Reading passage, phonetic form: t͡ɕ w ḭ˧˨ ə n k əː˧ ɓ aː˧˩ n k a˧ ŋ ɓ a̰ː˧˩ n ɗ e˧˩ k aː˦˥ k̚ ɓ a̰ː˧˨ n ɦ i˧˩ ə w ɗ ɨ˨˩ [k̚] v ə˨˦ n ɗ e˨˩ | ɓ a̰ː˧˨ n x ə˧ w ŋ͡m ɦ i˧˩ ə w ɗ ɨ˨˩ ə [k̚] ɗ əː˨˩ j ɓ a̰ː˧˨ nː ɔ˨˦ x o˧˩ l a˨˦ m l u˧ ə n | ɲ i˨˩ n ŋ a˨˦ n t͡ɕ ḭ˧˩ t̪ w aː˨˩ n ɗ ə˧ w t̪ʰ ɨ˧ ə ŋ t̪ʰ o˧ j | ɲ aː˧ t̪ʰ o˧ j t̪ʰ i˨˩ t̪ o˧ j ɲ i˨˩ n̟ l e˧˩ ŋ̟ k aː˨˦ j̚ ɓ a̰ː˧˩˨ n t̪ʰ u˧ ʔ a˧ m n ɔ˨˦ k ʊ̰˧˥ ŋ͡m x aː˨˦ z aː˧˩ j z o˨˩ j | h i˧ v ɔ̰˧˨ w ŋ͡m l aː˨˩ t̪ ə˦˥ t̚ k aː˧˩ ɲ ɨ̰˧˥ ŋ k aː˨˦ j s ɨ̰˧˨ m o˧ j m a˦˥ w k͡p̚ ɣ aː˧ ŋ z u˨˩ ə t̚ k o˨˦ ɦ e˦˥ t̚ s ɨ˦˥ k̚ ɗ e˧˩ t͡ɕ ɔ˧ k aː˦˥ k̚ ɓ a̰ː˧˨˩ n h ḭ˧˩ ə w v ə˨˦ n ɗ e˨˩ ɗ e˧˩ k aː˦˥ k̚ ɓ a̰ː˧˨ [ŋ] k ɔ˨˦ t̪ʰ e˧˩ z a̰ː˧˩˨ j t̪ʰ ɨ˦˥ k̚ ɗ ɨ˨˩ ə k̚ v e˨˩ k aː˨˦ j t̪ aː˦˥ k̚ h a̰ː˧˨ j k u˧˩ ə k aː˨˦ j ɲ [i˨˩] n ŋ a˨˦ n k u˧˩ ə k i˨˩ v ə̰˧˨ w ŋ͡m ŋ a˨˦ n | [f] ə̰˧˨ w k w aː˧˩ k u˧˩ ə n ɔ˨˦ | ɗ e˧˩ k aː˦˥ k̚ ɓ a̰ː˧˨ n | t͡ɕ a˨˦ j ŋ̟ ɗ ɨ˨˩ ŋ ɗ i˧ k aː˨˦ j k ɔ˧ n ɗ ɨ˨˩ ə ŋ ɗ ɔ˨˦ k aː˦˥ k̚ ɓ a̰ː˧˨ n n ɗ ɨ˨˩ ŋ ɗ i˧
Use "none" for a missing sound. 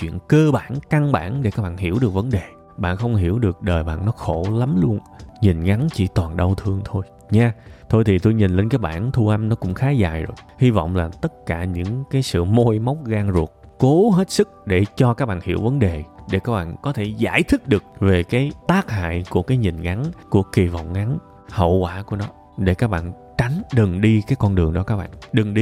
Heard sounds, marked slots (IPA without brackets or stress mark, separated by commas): k̚, k̚, n, i˨˩, h